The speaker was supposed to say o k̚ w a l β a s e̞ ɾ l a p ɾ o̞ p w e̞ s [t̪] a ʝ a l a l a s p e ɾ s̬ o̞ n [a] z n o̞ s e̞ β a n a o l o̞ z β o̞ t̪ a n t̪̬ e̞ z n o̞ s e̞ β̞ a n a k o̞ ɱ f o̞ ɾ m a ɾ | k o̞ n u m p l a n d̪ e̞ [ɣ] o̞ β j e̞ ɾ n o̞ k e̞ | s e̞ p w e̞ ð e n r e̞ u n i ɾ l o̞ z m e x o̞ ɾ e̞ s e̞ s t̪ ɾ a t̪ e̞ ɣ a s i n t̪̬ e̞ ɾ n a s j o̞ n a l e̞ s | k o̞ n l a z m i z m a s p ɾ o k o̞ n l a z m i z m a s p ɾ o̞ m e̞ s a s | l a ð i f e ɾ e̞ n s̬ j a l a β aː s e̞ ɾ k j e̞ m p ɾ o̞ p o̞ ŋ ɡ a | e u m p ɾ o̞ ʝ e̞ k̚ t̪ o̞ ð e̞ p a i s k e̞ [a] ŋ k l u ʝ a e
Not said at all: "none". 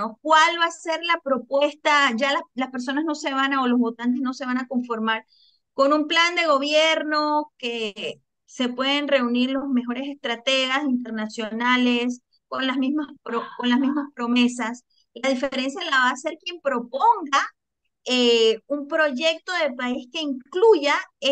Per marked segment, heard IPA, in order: t̪, a, ɣ, i

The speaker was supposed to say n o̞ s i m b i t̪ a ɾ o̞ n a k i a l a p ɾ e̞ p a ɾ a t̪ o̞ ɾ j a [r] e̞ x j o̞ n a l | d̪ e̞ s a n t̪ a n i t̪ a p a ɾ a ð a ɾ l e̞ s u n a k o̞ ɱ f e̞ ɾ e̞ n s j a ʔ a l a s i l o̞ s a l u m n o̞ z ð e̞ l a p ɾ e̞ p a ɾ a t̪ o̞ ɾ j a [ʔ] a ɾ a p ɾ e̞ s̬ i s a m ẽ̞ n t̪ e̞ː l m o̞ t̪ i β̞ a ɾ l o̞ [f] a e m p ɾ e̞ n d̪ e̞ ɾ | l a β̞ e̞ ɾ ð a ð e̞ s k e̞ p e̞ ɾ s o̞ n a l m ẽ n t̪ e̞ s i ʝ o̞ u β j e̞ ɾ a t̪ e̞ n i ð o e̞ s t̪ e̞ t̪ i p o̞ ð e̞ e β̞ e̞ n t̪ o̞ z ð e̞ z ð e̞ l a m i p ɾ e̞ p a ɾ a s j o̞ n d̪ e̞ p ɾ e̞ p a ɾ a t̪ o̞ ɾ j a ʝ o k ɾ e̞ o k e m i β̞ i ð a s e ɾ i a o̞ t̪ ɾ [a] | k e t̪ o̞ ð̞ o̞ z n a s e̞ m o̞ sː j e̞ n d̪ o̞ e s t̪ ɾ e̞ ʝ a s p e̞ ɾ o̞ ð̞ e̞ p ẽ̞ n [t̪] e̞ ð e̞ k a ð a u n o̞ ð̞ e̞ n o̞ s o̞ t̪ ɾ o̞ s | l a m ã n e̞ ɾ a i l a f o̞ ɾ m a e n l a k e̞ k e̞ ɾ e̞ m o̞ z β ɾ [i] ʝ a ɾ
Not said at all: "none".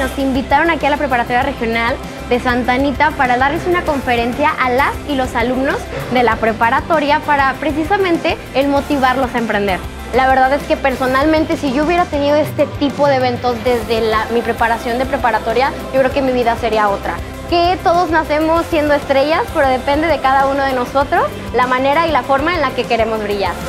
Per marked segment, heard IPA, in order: r, p, s, a, d̪, i

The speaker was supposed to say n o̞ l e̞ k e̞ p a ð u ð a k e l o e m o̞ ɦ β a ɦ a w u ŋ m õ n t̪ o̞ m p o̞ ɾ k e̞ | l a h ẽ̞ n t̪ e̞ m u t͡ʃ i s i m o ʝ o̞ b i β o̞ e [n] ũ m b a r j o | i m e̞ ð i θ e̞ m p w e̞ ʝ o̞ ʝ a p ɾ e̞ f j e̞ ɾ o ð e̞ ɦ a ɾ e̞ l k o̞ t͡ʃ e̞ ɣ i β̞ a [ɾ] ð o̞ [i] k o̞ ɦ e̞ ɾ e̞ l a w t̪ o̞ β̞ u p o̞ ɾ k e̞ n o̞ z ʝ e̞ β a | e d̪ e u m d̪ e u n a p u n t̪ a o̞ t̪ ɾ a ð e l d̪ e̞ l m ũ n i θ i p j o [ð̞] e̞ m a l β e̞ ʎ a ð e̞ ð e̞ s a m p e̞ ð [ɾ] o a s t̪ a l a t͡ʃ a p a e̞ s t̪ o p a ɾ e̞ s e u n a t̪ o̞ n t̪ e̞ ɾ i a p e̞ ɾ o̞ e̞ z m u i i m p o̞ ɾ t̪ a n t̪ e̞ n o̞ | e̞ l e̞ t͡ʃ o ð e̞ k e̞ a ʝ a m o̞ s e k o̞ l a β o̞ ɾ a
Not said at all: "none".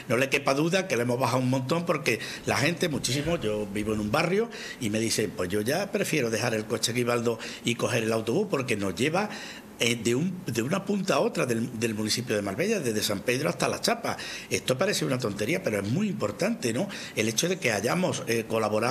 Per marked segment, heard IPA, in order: n, l, i, ð̞, ɾ

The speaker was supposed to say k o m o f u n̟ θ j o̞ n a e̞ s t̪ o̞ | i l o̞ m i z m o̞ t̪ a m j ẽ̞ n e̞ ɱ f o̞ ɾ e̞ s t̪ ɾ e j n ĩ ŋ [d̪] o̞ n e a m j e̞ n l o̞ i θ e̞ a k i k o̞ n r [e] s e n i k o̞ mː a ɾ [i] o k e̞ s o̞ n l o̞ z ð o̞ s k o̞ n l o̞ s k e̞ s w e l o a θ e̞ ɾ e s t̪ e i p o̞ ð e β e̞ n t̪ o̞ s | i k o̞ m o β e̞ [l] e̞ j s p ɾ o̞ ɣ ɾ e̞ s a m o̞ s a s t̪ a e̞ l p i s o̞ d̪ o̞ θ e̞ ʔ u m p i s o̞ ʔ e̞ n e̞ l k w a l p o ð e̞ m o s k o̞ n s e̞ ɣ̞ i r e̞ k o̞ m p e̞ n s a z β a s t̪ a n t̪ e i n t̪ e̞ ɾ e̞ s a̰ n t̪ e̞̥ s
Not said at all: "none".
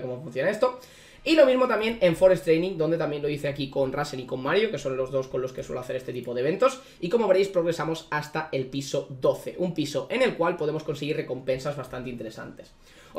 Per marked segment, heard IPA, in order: d̪, a, j, ɾ

